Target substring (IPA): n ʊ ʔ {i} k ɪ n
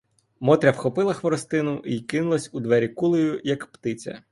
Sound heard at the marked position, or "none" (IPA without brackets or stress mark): i